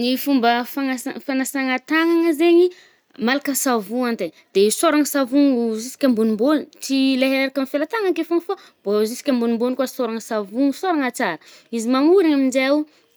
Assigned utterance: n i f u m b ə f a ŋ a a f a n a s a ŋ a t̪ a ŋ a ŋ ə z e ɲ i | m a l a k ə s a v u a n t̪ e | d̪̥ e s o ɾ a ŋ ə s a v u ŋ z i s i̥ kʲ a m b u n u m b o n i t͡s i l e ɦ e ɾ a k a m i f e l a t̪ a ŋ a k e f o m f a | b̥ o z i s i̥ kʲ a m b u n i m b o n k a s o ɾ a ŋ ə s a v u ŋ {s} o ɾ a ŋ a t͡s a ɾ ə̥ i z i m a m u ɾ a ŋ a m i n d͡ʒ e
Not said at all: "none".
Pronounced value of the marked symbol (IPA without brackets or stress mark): s